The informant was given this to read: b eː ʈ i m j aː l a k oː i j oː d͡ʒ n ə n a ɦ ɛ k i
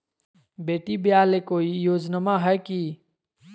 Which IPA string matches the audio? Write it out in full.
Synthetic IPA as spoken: b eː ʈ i b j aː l e k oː i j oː d͡ʒ n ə m a ɦ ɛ k i